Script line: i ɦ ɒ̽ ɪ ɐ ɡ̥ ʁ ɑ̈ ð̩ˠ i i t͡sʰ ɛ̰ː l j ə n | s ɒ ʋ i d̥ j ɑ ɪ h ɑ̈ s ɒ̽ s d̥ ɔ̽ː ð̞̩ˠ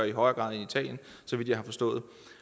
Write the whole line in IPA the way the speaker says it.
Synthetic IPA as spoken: i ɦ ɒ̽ ɪ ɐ ɡ̥ ʁ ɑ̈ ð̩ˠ i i t͡sʰ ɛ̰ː l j ə n | s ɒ ʋ i d̥ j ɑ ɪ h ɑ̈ f ɒ̽ s d̥ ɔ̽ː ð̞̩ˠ